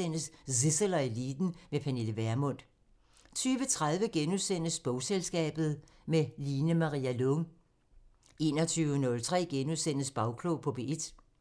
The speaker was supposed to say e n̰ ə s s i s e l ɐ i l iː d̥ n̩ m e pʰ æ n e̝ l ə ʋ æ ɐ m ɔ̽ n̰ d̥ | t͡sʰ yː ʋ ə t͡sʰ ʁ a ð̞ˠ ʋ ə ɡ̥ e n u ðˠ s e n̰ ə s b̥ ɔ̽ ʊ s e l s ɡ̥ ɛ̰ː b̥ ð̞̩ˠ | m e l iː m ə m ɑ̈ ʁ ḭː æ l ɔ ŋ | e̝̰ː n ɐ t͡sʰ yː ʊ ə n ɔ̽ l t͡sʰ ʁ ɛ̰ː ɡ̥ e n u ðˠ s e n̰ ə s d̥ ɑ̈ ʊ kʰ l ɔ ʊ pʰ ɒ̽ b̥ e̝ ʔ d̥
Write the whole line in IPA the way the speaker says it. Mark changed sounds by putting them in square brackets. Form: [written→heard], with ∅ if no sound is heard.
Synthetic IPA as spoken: e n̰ ə s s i s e l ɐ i l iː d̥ n̩ m e pʰ æ n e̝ l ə ʋ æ ɐ m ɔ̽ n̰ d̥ | t͡sʰ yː ʋ ə t͡sʰ ʁ a ð̞ˠ ʋ ə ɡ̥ e n u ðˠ s e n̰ ə s b̥ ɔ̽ ʊ s e l s ɡ̥ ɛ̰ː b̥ ð̞̩ˠ | m e l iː [m→n] ə m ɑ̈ ʁ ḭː æ l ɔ ŋ | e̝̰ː n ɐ t͡sʰ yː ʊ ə n ɔ̽ l t͡sʰ ʁ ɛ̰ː ɡ̥ e n u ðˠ s e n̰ ə s [d̥→b̥] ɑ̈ ʊ kʰ l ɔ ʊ pʰ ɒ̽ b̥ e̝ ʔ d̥